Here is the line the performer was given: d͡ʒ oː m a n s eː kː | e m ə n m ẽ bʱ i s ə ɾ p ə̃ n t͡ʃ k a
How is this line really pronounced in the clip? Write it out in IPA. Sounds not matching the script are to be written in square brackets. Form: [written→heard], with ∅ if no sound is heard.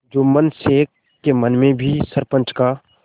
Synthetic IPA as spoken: d͡ʒ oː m [a→ə] n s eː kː | e m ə n m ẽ bʱ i s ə ɾ p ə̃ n t͡ʃ k a

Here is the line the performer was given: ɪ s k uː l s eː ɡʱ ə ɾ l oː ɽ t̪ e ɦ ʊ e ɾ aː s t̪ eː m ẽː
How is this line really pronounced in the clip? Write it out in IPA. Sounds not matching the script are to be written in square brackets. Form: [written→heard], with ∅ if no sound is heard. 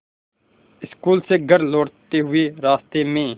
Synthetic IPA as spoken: ɪ s k uː l s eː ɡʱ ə ɾ l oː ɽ t̪ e ɦ ʊ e ɾ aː s t̪ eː m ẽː

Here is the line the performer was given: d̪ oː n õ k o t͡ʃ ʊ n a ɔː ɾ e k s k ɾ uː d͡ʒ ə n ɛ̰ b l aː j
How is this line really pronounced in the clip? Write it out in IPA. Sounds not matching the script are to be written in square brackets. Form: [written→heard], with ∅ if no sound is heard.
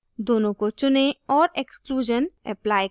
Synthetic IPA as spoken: d̪ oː n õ k o t͡ʃ ʊ n [a→e] ɔː ɾ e k s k [ɾ→l] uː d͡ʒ ə n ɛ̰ [b→p] l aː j

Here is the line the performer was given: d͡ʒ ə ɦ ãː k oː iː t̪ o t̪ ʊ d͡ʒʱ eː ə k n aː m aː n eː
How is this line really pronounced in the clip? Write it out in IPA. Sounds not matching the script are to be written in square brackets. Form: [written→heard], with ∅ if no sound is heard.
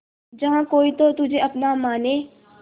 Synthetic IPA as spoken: d͡ʒ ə ɦ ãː k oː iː t̪ o t̪ ʊ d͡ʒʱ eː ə [k→p] n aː m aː n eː

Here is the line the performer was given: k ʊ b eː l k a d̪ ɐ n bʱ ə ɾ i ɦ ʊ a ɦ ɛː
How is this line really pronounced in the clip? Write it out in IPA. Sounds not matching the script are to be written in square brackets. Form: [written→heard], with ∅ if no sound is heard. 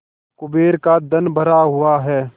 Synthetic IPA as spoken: k ʊ b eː [l→ɾ] k a d̪ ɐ n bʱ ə ɾ [i→a] ɦ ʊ a ɦ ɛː

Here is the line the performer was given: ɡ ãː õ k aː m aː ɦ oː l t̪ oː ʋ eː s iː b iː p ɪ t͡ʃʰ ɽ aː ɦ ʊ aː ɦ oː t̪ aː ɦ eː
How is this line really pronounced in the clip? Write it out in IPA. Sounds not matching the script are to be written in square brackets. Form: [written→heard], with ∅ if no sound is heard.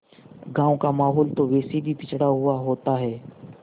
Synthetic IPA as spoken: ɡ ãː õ k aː m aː ɦ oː l t̪ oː ʋ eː s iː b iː p ɪ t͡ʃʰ ɽ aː ɦ ʊ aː ɦ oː t̪ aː ɦ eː

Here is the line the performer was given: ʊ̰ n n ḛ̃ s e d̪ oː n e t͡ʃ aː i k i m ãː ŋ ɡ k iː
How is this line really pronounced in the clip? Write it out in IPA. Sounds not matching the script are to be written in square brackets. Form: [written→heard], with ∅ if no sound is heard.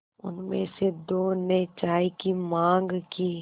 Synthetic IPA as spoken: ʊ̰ n [n→m] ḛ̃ s e d̪ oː n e t͡ʃ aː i k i m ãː ŋ ɡ k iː

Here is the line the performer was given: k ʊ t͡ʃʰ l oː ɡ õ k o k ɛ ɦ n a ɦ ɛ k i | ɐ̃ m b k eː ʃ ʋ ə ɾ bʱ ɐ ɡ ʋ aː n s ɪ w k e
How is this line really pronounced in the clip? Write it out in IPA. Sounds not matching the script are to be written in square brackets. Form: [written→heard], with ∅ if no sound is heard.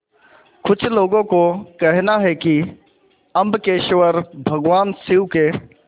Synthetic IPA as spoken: k ʊ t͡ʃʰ l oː ɡ õ k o k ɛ ɦ n a ɦ ɛ k i | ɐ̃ m b k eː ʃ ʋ ə ɾ bʱ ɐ ɡ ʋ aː n s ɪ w k e

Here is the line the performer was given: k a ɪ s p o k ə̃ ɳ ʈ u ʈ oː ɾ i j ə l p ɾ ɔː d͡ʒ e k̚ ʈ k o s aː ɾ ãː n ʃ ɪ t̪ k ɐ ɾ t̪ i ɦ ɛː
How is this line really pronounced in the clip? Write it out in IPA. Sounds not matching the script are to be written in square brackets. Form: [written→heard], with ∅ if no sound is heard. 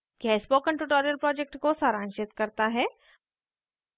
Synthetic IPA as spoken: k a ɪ s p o k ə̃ ɳ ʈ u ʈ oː ɾ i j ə l p ɾ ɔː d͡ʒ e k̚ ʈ k o s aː ɾ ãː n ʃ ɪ t̪ k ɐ ɾ t̪ [i→a] ɦ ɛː

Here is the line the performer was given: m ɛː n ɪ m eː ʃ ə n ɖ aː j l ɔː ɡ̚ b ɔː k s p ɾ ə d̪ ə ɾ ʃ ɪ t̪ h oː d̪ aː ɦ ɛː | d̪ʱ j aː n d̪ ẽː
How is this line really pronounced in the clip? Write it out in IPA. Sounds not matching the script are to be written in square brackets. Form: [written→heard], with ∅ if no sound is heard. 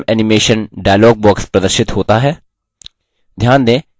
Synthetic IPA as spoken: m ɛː n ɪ m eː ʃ ə n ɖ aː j l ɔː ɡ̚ b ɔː k s p ɾ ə d̪ ə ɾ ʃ ɪ t̪ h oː [d̪→t̪] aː ɦ ɛː | d̪ʱ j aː n d̪ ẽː

